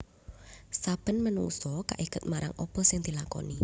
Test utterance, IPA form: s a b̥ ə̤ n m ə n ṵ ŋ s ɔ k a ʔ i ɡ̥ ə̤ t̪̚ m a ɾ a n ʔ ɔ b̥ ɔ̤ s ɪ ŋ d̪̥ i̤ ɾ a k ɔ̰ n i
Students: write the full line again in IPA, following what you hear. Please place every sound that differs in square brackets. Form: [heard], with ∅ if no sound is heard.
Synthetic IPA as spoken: s a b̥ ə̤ n m ə n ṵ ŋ s ɔ k a ʔ i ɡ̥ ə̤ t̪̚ m a ɾ a [ŋ] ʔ ɔ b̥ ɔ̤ s ɪ ŋ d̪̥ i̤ [l] a k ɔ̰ n i

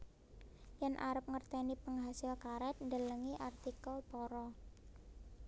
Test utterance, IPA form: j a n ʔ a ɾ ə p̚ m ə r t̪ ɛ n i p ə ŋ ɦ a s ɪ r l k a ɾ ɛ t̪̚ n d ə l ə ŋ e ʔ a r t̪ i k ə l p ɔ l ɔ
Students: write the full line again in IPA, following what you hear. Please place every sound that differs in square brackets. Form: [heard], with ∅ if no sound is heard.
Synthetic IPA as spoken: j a n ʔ a ɾ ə p̚ [ŋ] ə r t̪ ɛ n i p ə ŋ ɦ a s ɪ [∅] l k a ɾ ɛ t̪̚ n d ə l ə ŋ [i] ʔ a r t̪ i k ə l p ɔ [ɾ] ɔ

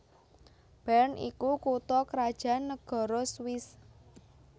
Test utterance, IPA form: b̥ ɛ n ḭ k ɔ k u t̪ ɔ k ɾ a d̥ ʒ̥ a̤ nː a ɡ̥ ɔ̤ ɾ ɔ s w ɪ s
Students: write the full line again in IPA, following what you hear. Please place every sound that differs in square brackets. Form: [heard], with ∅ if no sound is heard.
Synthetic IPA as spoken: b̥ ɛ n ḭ k [u] k u t̪ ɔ k ɾ a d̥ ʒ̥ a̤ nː [ə] ɡ̥ ɔ̤ ɾ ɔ s w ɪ s

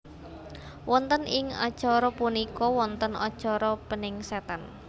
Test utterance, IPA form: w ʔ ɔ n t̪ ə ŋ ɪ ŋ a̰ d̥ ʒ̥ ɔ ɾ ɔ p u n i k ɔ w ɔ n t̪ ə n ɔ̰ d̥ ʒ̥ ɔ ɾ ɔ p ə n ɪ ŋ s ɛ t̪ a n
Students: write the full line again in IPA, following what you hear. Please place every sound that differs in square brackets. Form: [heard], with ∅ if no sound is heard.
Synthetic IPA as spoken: w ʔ ɔ n t̪ ə [n] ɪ ŋ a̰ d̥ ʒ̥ ɔ ɾ ɔ p u n i k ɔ w ɔ n t̪ ə n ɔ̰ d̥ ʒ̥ ɔ ɾ ɔ p ə n ɪ ŋ s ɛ t̪ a n

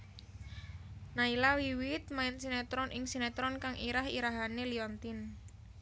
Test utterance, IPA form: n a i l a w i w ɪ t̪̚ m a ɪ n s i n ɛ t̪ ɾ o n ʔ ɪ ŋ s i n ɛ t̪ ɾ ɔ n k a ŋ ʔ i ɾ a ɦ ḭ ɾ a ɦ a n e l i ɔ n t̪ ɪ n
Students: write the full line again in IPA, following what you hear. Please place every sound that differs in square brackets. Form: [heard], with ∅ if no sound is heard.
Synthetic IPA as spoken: n a i l a w i w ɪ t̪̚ m a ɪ n s i n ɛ t̪ ɾ [ɔ] n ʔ ɪ ŋ s i n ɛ t̪ ɾ ɔ n k a ŋ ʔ i ɾ a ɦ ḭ ɾ a ɦ a n e l i ɔ n t̪ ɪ n

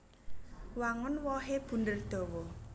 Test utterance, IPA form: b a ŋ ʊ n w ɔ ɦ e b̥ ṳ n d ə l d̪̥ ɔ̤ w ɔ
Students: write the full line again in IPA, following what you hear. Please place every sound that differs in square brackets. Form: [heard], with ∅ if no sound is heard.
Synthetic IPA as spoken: [w] a ŋ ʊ n w ɔ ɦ e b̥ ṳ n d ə [r] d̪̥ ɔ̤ w ɔ

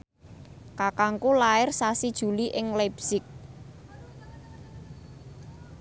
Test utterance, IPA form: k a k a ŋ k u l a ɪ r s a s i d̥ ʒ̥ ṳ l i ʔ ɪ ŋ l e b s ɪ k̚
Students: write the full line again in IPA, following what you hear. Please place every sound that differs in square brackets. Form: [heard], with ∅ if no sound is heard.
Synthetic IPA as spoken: k a k a ŋ k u l a ɪ r s a s i d̥ ʒ̥ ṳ l i ʔ ɪ ŋ l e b s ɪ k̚

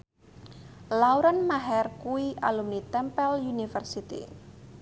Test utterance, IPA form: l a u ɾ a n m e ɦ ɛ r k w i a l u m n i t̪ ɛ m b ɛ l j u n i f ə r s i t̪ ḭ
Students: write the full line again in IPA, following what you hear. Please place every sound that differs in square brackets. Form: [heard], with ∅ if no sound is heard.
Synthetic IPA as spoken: l a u ɾ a n m [a] ɦ ɛ r k [u] i a l u m n i t̪ ɛ m [p] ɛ l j u n i f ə r s i t̪ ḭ

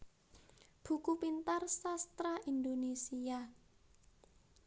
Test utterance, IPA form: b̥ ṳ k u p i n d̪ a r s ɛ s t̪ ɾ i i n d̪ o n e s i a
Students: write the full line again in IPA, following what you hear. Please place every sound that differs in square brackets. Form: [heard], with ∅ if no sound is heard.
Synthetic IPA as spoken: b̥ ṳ k u p i n [t̪] a r s [a] s t̪ ɾ [a] i n d̪ o n e s i a

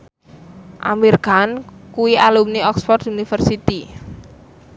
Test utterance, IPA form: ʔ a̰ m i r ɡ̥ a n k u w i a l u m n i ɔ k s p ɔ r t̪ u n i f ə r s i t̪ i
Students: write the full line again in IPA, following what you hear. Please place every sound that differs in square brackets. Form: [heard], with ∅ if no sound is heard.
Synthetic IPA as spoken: ʔ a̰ m i r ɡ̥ a n k u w i a l u m n i ɔ k s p ɔ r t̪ u n i f ə r s i t̪ i

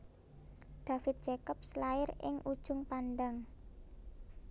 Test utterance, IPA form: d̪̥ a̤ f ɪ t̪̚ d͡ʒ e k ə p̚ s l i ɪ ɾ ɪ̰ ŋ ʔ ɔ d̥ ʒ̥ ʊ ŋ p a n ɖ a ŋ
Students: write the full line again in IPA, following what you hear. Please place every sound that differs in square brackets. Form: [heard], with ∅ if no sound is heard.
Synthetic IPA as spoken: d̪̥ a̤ f ɪ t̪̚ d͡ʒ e k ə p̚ s l [a] ɪ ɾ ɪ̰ ŋ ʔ [u] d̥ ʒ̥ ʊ ŋ p a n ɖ a ŋ

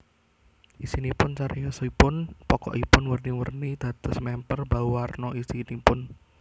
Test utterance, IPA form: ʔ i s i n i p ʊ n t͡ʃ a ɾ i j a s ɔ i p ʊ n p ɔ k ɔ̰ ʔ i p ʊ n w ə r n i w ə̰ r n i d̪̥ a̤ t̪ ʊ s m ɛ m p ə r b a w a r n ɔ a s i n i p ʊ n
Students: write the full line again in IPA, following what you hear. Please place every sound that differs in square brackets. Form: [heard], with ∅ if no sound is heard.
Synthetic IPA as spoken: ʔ i s i n i p ʊ n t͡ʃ a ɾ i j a s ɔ i p ʊ n p ɔ k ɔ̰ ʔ i p ʊ n w ə r n i w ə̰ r n i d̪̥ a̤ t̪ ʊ s m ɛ m p ə r b a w a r n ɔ [i] s i n i p ʊ n

